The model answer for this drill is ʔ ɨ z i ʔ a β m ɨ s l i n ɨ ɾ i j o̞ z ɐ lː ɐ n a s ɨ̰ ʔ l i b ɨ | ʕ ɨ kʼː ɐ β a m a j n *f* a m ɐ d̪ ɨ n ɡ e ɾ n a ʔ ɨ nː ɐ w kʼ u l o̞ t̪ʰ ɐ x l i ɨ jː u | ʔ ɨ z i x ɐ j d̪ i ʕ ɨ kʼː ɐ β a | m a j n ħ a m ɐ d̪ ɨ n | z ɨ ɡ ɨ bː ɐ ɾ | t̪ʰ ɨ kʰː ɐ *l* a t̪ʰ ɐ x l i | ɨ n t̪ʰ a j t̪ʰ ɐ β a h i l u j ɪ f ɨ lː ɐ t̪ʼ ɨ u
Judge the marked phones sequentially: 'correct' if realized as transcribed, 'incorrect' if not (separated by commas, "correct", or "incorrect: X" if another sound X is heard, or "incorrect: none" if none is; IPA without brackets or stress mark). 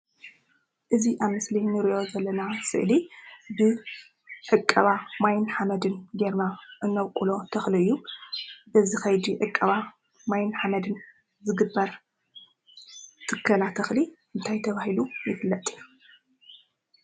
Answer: incorrect: ħ, correct